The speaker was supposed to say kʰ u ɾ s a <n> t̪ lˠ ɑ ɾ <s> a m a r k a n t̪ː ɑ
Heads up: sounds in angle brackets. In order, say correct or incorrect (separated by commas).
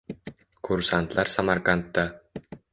correct, correct